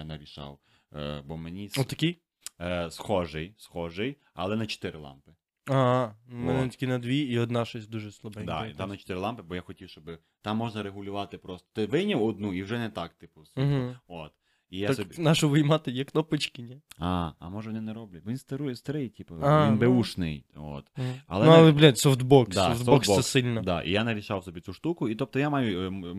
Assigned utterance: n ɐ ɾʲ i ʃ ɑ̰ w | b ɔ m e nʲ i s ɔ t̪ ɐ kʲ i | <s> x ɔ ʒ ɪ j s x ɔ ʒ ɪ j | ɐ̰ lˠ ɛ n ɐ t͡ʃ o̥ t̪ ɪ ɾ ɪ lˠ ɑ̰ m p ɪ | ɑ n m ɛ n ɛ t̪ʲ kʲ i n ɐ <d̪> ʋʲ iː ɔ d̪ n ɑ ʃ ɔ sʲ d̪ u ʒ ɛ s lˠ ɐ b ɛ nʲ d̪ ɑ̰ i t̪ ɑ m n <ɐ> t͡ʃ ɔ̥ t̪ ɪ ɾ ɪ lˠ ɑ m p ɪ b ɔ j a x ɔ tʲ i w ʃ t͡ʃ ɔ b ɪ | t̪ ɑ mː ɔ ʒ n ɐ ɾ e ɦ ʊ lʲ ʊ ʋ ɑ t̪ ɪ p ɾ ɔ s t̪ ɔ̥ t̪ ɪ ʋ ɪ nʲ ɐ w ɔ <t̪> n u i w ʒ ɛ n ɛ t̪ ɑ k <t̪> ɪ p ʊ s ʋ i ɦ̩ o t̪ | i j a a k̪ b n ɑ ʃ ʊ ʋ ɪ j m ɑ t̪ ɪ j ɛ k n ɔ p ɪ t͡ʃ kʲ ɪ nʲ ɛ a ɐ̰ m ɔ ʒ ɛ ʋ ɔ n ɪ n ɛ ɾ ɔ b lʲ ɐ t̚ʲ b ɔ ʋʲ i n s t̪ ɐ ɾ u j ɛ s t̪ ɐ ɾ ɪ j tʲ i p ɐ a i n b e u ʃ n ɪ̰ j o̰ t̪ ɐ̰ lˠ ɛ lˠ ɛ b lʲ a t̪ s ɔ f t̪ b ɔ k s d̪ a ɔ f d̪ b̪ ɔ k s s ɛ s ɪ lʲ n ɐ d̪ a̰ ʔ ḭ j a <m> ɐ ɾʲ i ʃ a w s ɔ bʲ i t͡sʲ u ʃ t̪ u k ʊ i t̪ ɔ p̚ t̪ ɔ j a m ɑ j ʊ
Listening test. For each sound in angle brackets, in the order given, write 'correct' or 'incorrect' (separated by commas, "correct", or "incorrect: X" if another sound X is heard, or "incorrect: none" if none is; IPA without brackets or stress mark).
correct, correct, correct, incorrect: d̪, correct, incorrect: n